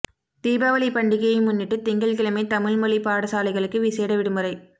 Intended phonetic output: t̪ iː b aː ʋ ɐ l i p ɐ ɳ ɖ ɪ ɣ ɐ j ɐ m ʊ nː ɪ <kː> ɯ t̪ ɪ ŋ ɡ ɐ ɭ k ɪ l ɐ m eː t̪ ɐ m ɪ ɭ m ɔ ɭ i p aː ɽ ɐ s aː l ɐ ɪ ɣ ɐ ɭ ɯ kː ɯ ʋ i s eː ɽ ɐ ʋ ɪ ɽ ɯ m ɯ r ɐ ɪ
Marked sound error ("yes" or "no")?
yes